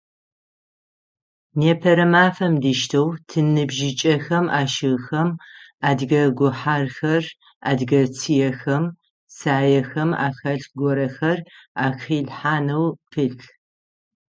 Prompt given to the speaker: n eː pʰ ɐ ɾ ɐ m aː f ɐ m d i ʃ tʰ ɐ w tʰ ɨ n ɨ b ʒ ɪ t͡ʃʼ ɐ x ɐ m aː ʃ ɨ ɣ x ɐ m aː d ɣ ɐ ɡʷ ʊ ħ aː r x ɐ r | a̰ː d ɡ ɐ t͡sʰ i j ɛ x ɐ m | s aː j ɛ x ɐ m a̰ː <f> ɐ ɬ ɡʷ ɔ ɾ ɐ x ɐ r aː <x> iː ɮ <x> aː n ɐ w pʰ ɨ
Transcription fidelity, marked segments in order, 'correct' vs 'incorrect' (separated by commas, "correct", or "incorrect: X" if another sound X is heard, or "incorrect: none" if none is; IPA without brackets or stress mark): incorrect: x, correct, incorrect: ħ